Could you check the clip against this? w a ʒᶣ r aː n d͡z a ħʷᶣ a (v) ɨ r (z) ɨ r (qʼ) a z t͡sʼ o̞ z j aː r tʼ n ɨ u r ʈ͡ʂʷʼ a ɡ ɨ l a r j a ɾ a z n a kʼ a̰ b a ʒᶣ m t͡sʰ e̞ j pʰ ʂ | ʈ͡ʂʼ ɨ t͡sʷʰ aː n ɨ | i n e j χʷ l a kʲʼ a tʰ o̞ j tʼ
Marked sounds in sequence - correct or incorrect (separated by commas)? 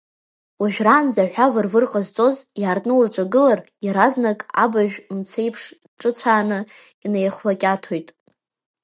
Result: correct, incorrect, correct